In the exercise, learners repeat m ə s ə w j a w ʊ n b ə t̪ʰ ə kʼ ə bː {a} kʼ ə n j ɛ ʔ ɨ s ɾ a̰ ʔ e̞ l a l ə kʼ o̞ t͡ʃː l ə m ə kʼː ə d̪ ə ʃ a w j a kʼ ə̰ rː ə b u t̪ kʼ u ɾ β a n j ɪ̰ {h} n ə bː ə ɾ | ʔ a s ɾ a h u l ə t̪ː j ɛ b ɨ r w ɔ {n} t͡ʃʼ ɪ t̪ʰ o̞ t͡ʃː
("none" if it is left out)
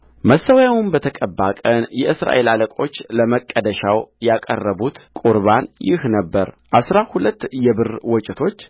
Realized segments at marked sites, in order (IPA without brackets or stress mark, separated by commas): a, h, none